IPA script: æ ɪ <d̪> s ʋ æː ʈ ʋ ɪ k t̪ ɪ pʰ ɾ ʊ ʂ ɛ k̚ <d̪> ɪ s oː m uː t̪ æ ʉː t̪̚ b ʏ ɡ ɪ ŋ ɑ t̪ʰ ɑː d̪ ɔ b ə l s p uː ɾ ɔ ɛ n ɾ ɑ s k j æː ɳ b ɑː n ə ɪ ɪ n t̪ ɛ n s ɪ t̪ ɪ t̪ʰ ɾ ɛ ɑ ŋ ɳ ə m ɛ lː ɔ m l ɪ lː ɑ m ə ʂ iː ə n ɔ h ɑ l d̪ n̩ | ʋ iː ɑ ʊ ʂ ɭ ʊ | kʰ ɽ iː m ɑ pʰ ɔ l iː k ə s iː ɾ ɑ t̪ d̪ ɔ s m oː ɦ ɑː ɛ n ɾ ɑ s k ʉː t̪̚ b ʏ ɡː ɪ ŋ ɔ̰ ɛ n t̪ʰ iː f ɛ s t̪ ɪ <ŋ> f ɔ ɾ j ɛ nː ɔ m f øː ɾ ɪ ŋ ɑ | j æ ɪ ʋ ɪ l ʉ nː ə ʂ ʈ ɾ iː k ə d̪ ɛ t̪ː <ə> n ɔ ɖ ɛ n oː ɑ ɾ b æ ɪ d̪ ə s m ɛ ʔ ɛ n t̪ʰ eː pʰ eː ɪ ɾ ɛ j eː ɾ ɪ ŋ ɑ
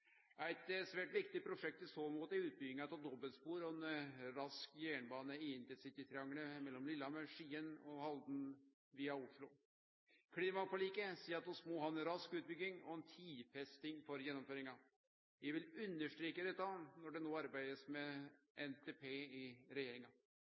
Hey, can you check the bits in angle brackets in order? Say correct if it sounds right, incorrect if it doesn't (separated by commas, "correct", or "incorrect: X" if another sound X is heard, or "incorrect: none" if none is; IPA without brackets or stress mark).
incorrect: t̪, incorrect: t̪, correct, incorrect: ɑ